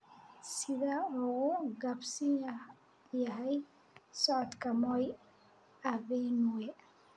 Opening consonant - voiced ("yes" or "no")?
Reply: no